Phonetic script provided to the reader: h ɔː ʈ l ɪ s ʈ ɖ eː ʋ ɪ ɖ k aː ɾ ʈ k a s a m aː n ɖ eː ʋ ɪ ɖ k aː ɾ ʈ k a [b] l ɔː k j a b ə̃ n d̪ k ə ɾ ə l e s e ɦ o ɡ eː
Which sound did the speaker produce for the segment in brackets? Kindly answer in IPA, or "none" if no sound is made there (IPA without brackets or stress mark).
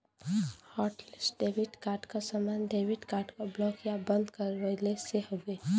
b